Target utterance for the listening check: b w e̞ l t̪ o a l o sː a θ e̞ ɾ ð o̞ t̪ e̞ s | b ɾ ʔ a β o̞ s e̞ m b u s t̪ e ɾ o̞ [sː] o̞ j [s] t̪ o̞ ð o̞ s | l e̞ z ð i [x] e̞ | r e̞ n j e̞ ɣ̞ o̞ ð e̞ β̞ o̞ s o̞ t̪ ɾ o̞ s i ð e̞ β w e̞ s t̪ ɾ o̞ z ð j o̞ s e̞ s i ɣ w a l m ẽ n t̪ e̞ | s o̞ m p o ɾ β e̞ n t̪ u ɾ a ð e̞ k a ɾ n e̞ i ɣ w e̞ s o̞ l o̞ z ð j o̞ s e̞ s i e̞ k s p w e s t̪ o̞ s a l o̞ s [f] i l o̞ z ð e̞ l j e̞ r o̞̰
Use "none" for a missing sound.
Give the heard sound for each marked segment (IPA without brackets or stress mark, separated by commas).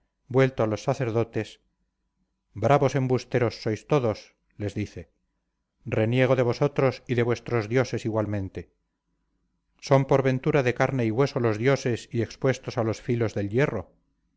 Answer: sː, s, θ, f